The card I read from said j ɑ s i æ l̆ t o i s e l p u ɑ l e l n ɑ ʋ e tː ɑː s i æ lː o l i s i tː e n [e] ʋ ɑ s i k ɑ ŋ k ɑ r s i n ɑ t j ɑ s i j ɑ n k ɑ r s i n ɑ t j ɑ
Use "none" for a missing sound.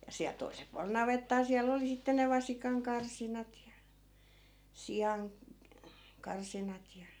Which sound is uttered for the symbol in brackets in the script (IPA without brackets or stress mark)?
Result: e